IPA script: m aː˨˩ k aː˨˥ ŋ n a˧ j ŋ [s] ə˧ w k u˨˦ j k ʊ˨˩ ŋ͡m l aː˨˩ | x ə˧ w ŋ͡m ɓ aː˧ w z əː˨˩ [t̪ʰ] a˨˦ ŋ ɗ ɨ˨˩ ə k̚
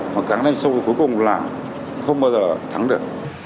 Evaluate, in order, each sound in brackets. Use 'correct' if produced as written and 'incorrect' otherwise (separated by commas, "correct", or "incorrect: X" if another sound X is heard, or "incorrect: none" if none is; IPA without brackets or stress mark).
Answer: correct, correct